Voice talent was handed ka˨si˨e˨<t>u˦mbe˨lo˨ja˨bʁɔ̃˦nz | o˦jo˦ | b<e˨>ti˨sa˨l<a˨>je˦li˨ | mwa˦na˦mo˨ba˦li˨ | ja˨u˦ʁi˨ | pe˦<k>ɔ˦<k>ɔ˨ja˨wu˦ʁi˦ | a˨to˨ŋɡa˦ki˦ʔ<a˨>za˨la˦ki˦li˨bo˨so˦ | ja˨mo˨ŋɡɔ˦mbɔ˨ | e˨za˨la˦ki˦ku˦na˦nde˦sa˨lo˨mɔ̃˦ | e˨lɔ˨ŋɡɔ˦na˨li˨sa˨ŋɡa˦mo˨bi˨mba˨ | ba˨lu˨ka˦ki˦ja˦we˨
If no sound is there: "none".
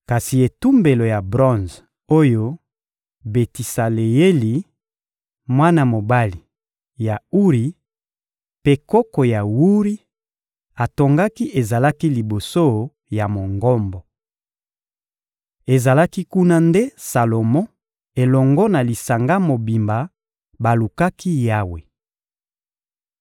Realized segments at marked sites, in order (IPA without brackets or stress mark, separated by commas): t, e˨, e˨, k, k, e˨